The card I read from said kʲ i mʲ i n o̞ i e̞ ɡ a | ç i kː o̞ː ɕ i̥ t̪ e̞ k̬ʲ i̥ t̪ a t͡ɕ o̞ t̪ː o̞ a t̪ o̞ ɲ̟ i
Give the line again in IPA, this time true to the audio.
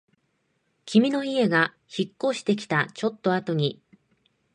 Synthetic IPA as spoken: kʲ i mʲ i n o̞ i e̞ ɡ a | ç i kː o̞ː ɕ i̥ t̪ e̞ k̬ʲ i̥ t̪ a t͡ɕ o̞ t̪ː o̞ a t̪ o̞ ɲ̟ i